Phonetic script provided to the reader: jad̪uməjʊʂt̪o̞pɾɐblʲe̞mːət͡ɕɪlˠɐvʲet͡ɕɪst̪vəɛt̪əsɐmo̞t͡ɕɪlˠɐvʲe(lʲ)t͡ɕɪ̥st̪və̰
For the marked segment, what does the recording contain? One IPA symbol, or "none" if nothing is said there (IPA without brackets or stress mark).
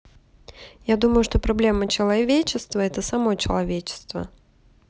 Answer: none